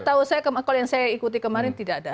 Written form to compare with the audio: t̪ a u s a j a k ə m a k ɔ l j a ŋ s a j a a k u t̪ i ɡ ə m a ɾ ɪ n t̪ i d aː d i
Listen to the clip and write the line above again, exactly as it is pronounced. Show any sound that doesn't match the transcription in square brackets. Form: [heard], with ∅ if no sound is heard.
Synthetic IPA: t̪ a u s a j a k ə m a k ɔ l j a ŋ s a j a [i] k u t̪ i [k] ə m a ɾ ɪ n t̪ i d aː d [a]